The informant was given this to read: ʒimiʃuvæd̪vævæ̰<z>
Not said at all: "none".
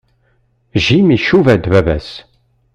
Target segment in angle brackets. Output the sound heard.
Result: s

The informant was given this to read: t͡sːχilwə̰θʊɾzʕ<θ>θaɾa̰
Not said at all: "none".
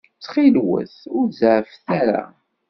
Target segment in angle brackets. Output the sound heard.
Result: f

